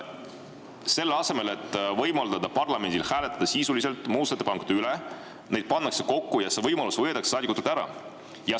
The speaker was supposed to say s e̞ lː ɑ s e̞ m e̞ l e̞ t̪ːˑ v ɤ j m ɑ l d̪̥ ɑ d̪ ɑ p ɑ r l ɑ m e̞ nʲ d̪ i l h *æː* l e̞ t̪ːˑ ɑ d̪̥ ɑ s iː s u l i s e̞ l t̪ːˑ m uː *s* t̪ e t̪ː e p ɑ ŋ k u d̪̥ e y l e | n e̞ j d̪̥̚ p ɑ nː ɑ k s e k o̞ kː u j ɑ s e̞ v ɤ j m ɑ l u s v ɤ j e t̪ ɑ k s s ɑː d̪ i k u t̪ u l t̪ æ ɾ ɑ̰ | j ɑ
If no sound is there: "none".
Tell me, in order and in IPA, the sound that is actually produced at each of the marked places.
æː, s

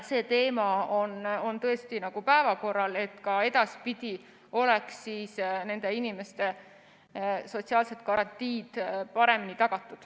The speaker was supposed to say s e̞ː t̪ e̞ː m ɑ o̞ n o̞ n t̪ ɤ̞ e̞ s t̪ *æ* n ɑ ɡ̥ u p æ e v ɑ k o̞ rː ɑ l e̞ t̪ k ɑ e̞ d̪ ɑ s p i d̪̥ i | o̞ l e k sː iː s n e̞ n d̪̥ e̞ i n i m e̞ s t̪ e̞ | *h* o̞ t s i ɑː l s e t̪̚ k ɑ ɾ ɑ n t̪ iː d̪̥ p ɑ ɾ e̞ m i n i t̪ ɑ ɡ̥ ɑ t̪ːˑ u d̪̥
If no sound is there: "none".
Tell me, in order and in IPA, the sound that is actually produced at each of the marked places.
i, s

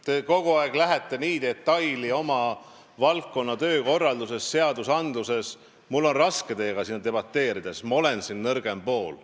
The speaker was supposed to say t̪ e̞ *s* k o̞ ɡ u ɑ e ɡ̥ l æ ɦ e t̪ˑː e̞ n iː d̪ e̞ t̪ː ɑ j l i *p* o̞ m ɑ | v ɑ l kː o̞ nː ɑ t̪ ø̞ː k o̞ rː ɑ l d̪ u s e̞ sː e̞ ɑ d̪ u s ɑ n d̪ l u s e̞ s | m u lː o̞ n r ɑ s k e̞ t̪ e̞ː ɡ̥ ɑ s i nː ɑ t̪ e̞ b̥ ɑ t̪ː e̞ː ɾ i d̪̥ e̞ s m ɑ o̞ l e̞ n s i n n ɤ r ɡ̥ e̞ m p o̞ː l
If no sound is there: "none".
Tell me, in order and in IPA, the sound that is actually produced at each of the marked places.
none, none

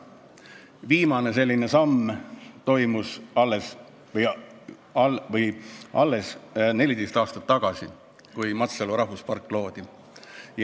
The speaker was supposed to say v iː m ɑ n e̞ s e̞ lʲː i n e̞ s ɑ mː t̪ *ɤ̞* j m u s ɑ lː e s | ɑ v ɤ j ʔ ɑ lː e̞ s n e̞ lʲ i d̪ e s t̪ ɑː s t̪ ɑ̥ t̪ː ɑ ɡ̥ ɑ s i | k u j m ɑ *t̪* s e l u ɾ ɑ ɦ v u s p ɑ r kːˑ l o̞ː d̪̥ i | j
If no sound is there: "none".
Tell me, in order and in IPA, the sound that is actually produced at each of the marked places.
o̞, t̪

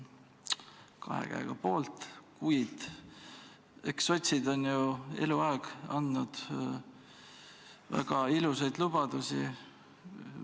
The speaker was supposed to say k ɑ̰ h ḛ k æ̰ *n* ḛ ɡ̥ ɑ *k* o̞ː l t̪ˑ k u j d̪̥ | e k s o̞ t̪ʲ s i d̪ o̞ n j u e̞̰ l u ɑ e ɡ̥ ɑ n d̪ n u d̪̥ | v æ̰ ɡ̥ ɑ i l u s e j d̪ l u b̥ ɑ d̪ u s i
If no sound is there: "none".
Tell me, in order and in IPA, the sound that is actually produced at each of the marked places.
none, p

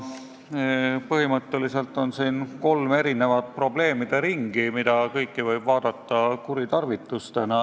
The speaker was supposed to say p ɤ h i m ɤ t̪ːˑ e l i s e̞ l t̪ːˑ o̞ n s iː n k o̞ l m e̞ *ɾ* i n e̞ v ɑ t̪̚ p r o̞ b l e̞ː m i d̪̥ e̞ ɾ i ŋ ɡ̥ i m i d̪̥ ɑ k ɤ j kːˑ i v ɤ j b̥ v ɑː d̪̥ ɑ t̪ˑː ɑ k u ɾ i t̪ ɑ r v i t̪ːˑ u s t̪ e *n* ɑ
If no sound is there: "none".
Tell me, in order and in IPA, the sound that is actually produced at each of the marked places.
ɾ, n

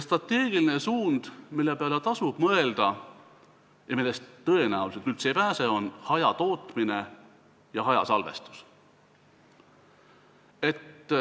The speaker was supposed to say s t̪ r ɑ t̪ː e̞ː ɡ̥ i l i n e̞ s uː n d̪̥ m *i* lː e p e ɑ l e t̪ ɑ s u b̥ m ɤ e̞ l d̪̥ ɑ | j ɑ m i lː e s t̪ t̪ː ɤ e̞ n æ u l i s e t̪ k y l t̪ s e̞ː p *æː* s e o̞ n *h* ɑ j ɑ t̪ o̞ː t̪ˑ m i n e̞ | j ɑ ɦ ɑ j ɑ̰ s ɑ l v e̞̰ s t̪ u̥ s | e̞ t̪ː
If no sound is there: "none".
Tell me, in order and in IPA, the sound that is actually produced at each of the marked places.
i, æː, h

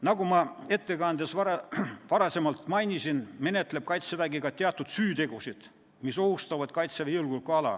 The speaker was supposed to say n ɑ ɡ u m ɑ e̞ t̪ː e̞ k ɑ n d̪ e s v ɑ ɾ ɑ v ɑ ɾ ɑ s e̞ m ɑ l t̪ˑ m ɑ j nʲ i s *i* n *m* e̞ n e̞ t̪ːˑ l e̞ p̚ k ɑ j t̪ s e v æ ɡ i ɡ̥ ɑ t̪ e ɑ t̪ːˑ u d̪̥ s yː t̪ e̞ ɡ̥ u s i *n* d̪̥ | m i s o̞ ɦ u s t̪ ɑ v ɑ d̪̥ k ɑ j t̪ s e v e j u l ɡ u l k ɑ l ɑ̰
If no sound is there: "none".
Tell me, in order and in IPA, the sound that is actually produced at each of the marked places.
i, m, none

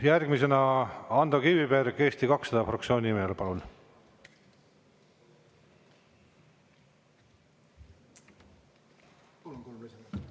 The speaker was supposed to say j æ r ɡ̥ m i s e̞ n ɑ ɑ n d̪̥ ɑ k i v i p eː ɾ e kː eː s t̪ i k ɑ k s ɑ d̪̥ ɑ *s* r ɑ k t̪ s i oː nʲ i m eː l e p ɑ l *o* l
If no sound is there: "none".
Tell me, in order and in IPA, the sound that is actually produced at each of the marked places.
f, u

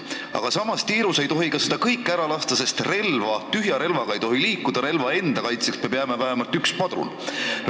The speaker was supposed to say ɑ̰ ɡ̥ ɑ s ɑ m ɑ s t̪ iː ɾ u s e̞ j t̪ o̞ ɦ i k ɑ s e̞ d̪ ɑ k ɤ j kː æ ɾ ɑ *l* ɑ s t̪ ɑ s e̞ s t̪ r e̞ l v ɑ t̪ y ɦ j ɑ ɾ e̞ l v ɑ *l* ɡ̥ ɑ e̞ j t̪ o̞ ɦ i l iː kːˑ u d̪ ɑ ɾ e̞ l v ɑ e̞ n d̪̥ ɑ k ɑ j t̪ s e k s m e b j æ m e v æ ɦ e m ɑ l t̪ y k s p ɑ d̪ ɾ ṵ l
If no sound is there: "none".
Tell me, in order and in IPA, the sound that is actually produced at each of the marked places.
l, none

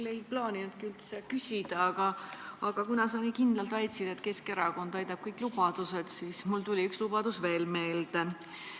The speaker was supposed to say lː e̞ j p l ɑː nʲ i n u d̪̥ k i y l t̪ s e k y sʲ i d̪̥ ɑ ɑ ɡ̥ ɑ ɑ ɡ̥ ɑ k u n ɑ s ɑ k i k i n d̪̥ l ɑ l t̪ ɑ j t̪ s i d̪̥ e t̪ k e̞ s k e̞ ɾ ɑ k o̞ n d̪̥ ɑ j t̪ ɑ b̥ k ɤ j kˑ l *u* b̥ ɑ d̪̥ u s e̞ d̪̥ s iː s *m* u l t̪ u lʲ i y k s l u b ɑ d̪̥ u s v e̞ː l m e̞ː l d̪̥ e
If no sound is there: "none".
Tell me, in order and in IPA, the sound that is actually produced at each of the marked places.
u, m

